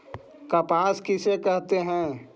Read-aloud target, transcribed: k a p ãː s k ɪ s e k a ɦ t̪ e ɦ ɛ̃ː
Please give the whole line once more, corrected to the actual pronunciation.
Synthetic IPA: k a p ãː s k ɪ s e k ɛ ɦ t̪ e ɦ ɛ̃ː